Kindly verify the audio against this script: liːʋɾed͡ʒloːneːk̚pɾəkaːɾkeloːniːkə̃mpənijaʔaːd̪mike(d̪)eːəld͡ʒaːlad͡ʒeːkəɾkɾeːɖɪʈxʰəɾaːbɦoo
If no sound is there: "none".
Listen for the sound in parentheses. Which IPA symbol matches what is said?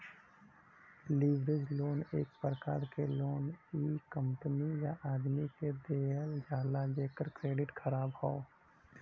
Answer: d̪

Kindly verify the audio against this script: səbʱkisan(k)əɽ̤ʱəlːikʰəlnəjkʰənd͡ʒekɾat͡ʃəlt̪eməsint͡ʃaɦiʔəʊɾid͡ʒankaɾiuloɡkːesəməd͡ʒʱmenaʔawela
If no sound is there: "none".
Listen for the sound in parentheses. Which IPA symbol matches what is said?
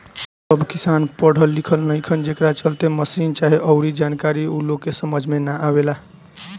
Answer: p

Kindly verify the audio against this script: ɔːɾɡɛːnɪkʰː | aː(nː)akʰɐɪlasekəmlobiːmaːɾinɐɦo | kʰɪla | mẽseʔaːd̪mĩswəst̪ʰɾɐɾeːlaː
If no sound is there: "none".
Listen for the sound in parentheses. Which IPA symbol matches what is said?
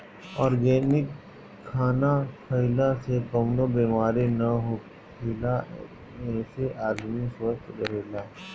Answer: n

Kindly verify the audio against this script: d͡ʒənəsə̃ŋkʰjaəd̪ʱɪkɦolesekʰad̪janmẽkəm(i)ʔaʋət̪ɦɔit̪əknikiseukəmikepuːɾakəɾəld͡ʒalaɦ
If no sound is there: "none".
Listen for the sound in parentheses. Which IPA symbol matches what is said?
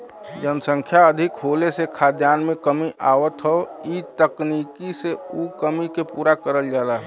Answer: i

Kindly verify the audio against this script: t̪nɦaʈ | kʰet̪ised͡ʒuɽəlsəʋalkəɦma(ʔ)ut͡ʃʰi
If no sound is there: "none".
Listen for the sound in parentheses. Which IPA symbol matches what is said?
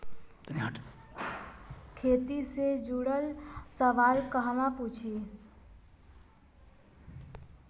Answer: p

